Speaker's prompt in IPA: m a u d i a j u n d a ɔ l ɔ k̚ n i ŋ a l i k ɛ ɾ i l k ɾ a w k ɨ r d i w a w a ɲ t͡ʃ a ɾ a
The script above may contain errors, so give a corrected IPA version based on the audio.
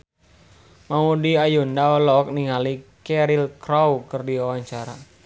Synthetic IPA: m a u d i a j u n d a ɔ l ɔ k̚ n i ŋ a l i k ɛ ɾ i l k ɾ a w k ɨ r d i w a w a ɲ t͡ʃ a ɾ a